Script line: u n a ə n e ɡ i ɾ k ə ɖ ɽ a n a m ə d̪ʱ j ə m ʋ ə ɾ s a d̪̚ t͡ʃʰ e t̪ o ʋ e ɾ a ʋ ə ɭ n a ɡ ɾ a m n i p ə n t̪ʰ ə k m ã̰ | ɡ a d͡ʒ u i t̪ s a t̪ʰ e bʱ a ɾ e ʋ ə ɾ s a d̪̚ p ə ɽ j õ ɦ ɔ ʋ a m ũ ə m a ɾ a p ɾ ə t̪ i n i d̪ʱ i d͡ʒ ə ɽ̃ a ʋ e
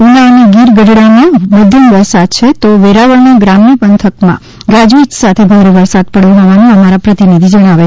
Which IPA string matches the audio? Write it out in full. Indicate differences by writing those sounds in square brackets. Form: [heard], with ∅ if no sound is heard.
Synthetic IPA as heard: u n a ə n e ɡ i ɾ [ɡ] ə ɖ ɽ a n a m ə d̪ʱ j ə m ʋ ə ɾ s a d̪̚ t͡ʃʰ e t̪ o ʋ e ɾ a ʋ ə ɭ n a ɡ ɾ a m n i p ə n t̪ʰ ə k m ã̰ | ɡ a d͡ʒ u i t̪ s a t̪ʰ e bʱ a ɾ e ʋ ə ɾ s a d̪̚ p ə ɽ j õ ɦ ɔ ʋ a [n] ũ ə m a ɾ a p ɾ ə t̪ i n i d̪ʱ i d͡ʒ ə ɽ̃ a ʋ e